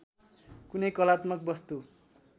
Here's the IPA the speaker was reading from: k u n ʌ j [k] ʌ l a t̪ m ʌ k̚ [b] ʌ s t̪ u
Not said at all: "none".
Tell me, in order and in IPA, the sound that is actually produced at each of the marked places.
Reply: k, b

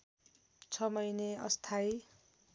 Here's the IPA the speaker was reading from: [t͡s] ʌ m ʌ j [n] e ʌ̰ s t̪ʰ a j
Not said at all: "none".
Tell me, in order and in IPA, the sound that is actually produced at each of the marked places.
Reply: t͡sʰ, n

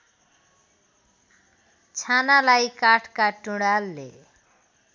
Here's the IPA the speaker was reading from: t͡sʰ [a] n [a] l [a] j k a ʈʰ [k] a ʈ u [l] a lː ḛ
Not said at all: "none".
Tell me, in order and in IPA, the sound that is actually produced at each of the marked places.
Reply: a, a, a, k, ɽ

